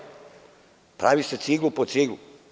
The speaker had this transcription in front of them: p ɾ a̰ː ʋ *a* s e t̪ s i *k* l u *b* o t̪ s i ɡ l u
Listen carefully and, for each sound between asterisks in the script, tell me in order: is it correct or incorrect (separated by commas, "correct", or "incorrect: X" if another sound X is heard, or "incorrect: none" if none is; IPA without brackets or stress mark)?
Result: incorrect: i, incorrect: ɡ, incorrect: p